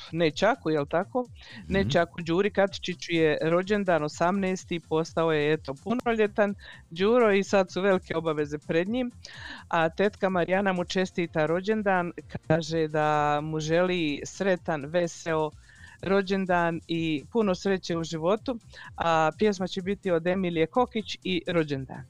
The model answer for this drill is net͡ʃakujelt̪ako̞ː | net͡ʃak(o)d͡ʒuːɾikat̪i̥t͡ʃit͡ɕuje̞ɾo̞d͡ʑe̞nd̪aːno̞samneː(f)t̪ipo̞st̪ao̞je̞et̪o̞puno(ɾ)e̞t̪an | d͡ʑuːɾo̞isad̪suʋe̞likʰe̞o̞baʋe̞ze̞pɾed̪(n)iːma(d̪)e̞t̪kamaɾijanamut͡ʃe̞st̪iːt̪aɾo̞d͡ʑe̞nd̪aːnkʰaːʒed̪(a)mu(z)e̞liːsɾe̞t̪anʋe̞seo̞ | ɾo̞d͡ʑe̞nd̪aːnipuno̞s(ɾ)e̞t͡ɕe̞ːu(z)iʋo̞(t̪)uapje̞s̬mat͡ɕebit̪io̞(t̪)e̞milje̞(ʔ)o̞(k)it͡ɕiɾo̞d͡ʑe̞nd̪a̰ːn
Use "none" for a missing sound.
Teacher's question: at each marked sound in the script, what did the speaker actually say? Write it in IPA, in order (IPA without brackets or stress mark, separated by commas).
u, s, ʎ, ɲ, t̪, a, ʒ, ɾ, ʒ, t̪, d̪, k, k